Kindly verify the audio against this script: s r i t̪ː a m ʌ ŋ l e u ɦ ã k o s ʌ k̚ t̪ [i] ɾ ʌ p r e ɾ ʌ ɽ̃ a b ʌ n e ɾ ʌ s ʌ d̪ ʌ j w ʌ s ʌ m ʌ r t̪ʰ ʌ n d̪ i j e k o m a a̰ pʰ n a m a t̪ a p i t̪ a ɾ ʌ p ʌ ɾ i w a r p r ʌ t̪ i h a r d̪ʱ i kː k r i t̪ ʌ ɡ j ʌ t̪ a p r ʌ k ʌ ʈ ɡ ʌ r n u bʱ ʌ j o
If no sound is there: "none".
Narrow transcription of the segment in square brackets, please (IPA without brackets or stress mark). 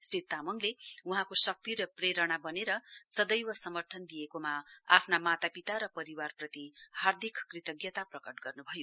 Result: i